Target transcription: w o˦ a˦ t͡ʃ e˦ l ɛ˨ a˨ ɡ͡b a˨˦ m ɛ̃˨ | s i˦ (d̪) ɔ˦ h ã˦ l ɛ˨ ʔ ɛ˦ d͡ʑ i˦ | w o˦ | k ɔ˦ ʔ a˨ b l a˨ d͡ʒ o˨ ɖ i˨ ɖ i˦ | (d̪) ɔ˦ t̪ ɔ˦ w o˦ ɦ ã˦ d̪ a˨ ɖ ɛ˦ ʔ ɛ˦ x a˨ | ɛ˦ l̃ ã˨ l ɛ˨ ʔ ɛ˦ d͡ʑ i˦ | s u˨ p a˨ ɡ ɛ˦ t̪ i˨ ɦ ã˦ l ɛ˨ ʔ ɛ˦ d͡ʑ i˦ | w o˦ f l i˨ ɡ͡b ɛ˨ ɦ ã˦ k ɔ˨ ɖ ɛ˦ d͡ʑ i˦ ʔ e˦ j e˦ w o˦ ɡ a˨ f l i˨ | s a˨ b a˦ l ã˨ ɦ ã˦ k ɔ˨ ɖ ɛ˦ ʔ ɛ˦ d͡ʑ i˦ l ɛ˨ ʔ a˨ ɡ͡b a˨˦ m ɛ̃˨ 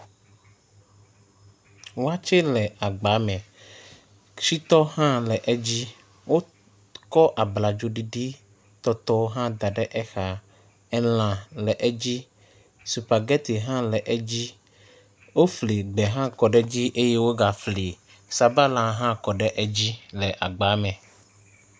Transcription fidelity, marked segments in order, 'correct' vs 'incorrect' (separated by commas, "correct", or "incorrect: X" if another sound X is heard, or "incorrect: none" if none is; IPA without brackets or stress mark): incorrect: t̪, incorrect: t̪